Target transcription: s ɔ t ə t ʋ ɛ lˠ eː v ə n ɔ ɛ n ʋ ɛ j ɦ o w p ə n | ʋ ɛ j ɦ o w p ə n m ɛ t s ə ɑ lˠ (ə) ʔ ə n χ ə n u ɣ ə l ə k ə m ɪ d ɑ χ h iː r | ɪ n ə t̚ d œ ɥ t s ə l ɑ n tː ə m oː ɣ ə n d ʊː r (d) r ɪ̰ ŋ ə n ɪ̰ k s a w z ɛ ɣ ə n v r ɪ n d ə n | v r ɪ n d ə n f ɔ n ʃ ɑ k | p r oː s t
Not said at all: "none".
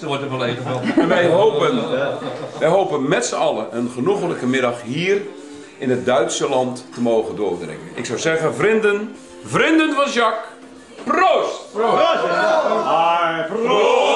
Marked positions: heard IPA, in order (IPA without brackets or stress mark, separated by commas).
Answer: ə, d